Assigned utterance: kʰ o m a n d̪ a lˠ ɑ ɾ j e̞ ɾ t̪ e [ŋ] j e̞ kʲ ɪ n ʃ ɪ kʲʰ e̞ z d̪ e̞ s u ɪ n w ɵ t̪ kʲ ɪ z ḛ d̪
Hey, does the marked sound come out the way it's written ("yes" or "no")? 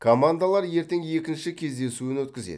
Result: yes